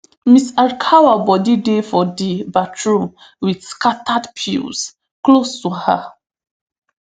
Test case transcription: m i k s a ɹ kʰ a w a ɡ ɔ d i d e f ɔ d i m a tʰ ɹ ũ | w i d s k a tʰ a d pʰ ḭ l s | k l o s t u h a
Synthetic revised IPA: m i s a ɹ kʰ a w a b ɔ d i d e f ɔ d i b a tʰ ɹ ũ | w i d s k a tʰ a d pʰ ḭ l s | k l o s t u h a